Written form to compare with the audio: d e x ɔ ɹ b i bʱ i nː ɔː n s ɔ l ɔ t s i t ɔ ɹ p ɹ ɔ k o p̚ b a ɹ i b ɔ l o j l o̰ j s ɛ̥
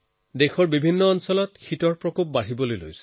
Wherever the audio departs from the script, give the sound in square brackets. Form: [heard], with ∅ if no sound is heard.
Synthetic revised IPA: d e x ɔ ɹ b i bʱ i nː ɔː n s ɔ l ɔ t [x] i t ɔ ɹ p ɹ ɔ k o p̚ b a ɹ i b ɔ l o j l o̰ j s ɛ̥